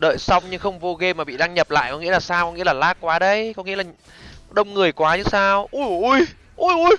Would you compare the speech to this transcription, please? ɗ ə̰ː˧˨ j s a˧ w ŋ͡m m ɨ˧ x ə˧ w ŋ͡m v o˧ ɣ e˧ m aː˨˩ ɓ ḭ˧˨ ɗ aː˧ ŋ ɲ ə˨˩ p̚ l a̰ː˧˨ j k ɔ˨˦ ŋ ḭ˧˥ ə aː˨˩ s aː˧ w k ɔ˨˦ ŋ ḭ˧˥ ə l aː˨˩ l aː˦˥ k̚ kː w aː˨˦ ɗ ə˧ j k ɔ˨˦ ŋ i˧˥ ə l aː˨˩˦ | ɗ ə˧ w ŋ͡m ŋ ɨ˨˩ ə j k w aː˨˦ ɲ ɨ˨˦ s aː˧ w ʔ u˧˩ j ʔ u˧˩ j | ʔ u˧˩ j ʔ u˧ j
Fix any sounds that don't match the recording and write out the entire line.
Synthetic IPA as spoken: ɗ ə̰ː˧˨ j s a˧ w ŋ͡m ɲ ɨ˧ x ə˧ w ŋ͡m v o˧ ɣ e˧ m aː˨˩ ɓ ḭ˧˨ ɗ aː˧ ŋ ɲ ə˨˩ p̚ l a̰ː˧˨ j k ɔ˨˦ ŋ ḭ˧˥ ə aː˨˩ s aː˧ w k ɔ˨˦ ŋ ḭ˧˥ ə l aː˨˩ l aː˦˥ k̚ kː w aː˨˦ ɗ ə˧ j k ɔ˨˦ ŋ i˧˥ ə l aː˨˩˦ | ɗ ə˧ w ŋ͡m ŋ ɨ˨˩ ə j k w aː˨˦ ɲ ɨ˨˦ s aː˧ w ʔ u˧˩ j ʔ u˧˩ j | ʔ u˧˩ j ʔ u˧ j